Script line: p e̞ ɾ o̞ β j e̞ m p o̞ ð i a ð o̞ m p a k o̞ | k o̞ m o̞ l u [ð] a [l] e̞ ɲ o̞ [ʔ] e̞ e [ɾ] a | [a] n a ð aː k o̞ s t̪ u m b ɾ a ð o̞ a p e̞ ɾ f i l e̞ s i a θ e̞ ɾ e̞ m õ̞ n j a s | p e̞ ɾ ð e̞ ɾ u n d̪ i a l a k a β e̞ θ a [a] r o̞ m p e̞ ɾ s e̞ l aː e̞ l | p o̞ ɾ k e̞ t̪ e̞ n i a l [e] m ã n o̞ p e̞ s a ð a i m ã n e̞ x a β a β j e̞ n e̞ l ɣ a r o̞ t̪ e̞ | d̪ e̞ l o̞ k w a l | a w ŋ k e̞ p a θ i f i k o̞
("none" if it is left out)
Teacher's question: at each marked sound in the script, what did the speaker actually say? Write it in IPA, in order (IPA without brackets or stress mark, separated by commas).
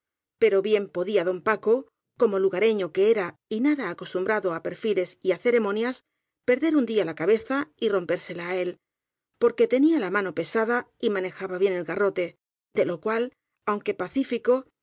ɣ, ɾ, k, ɾ, i, i, a